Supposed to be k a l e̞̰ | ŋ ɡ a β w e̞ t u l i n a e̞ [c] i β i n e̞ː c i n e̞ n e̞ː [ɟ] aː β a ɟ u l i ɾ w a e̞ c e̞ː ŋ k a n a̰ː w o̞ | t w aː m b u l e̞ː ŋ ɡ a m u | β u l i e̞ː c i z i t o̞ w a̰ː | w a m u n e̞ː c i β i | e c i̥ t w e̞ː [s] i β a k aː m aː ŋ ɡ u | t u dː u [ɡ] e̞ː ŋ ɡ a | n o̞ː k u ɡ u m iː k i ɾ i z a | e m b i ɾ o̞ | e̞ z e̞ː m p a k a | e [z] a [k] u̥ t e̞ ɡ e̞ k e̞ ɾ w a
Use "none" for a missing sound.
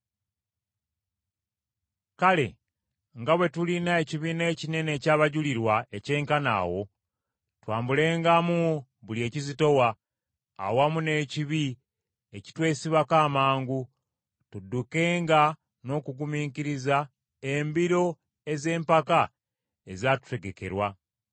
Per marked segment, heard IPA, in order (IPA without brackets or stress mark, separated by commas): c, c, s, k, z, t